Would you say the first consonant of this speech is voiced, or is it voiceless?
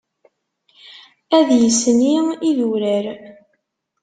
voiced